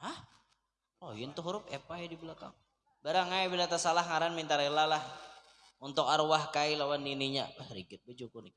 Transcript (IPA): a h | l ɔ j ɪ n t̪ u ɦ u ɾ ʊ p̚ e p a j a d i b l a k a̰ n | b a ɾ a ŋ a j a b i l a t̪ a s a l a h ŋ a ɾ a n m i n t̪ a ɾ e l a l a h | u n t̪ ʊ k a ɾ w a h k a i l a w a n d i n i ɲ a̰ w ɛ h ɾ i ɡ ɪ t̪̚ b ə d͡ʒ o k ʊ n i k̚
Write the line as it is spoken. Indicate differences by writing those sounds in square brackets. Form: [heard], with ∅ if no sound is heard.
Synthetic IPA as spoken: a h | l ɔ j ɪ n t̪ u ɦ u ɾ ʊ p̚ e p a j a d i b l a k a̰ [ŋ] | b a ɾ a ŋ a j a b i l a t̪ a s a l a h ŋ a ɾ a n m i n t̪ a ɾ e l a l a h | u n t̪ ʊ k a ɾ w a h k a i l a w a n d i n i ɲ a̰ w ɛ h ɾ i ɡ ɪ t̪̚ b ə d͡ʒ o k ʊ n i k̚